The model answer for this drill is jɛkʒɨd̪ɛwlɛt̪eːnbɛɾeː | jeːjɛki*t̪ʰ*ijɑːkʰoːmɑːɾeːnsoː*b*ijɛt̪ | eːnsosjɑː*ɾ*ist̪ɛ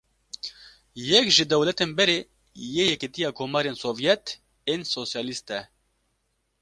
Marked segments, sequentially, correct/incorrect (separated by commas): incorrect, incorrect, incorrect